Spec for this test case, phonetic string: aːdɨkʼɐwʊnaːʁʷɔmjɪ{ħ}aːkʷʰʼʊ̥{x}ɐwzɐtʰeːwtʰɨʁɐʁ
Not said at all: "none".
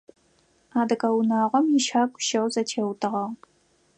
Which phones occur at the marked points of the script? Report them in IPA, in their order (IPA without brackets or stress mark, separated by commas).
ʃ, ʃ